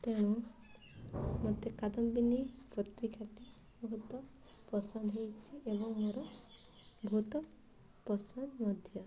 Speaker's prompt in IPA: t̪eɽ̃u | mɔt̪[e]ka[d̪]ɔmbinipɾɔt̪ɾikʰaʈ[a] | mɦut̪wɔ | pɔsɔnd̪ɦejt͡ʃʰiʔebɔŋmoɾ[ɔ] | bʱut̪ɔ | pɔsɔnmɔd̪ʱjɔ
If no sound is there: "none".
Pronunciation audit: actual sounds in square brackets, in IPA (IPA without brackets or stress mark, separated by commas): e, d̪, i, ɔ